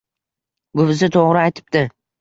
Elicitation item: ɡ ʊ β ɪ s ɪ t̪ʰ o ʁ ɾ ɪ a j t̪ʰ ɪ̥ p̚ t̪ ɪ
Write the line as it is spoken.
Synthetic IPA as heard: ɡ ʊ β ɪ z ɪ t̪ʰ o ʁ ɾ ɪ a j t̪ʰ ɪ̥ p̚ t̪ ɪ